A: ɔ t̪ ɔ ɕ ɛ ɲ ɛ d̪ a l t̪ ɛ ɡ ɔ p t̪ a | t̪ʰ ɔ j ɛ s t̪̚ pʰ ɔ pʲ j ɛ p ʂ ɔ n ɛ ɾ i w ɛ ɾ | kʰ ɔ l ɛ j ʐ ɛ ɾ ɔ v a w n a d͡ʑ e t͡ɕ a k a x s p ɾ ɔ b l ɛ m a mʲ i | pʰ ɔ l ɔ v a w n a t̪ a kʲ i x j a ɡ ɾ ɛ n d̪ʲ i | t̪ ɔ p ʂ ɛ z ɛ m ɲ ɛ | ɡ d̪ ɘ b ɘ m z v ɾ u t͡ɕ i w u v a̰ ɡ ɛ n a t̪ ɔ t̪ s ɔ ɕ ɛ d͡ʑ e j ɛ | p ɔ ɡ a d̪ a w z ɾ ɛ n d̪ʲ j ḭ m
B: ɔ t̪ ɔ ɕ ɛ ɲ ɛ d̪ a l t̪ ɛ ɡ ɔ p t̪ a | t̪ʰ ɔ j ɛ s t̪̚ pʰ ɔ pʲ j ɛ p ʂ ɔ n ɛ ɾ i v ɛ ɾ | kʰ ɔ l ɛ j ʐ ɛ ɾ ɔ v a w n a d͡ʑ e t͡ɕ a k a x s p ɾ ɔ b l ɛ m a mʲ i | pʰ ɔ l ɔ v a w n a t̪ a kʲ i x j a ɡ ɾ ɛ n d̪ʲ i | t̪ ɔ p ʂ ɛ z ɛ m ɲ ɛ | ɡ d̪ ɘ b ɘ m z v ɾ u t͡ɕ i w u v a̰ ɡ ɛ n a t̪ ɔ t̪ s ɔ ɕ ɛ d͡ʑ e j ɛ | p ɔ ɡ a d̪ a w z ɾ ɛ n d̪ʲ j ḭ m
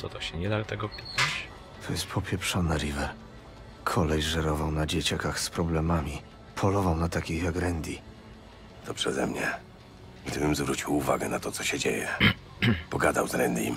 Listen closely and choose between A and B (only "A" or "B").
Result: B